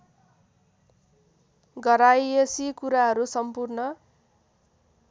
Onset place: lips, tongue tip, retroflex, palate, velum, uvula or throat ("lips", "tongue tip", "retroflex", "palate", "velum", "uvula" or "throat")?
velum